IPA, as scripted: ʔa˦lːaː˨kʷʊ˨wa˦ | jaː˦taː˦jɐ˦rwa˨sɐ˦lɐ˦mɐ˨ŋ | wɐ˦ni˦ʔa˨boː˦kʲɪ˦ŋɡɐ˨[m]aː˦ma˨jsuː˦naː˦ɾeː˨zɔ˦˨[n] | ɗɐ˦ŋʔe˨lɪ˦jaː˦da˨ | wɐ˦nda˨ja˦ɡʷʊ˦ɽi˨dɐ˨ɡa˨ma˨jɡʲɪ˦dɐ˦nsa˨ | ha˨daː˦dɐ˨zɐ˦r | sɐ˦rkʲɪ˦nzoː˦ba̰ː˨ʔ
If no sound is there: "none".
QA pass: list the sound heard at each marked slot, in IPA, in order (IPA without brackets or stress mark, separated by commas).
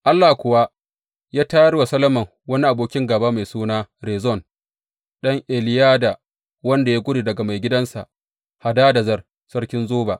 b, n